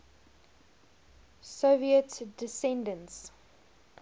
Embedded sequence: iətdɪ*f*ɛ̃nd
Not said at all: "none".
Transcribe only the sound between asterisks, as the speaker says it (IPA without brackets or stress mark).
s